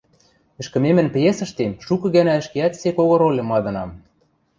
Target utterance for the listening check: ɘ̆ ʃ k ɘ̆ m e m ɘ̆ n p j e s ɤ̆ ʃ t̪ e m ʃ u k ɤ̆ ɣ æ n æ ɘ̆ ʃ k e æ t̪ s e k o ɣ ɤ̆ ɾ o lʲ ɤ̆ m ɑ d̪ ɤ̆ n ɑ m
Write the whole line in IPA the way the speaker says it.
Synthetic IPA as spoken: ɘ̆ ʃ k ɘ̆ m e m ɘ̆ n p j e s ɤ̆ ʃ t̪ e m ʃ u k ɤ̆ ɣ æ n æ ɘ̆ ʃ k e æ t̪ s e k o ɣ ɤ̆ ɾ o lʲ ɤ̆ m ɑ d̪ ɤ̆ n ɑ m